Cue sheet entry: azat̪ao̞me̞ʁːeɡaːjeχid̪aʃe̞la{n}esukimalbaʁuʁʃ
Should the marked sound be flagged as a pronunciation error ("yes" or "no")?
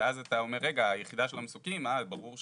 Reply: yes